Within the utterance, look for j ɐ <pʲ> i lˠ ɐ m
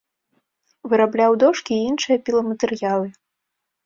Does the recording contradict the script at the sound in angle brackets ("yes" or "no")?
no